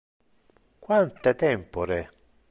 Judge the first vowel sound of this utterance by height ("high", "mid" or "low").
low